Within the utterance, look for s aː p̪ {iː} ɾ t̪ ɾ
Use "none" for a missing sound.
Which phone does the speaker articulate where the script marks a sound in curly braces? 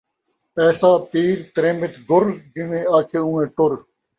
iː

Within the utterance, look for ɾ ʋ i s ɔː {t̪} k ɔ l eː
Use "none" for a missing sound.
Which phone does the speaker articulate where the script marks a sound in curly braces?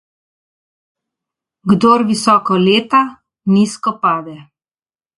none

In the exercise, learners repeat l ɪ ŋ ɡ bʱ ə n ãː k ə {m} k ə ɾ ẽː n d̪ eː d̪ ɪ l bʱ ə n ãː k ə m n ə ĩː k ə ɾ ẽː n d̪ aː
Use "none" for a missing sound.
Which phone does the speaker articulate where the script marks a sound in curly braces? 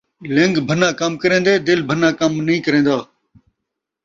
m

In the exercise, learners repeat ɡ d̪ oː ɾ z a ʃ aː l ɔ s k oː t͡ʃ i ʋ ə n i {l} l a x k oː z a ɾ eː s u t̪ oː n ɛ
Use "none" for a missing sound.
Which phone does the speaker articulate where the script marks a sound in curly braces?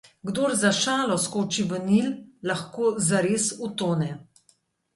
l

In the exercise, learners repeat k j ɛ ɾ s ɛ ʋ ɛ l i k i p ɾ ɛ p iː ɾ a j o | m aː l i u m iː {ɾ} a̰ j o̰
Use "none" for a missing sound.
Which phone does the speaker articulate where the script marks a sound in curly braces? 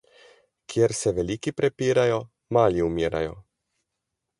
ɾ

